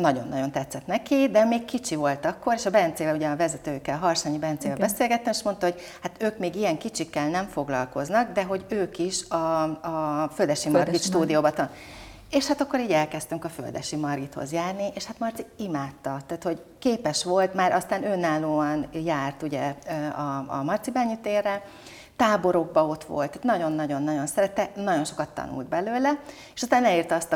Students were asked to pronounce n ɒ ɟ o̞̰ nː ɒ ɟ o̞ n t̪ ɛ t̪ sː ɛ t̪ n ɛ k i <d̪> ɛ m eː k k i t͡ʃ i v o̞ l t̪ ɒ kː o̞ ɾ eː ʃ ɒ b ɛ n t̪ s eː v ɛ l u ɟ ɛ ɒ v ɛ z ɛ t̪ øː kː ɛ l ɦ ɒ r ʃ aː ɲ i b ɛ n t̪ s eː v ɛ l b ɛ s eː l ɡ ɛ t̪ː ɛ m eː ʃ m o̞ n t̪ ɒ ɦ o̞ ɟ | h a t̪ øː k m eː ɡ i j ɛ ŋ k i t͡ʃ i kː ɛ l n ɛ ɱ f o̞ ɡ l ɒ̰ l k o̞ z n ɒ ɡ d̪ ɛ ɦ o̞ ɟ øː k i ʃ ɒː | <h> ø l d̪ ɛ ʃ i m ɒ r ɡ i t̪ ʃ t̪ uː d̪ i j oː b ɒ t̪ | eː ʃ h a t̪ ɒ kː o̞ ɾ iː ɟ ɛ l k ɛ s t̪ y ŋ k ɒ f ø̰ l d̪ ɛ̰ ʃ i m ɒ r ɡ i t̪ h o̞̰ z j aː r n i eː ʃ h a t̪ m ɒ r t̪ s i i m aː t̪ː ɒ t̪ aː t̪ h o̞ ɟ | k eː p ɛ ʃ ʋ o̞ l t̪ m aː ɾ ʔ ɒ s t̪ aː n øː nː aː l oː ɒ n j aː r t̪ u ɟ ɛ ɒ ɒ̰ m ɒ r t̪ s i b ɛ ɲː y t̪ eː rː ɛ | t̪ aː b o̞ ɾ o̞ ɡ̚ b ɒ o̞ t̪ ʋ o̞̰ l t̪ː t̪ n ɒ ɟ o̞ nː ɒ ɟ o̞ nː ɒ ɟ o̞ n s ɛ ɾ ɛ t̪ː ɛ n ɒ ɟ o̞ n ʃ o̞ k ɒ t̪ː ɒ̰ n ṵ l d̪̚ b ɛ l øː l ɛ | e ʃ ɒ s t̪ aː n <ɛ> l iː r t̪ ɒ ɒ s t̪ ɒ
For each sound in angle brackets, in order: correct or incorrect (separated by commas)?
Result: correct, incorrect, correct